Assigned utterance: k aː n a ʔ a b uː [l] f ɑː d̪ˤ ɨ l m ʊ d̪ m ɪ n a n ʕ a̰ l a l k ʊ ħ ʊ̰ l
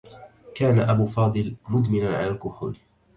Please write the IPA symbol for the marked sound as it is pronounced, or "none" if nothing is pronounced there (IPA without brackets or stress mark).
none